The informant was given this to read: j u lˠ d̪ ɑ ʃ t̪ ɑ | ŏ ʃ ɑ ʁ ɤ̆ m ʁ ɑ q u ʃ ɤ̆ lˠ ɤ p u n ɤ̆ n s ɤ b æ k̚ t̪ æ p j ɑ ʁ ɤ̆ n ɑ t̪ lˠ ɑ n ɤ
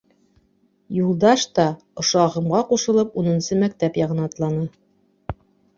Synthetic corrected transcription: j u lˠ d̪ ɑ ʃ t̪ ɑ | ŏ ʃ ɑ ʁ ɤ̆ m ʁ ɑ q u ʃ ɤ̆ lˠ ɤ p u n ɤ̆ n s ɤ m æ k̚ t̪ æ p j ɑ ʁ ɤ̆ n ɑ t̪ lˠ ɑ n ɤ

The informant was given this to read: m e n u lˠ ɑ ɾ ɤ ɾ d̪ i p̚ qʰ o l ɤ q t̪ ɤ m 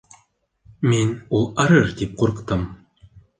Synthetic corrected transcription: m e n u lˠ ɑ ɾ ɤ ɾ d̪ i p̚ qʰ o ɾ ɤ q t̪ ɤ m

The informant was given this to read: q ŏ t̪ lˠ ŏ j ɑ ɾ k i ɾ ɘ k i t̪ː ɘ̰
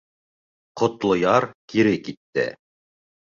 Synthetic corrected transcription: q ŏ t̪ lˠ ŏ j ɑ ɾ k i ɾ ɘ k i t̪ː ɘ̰

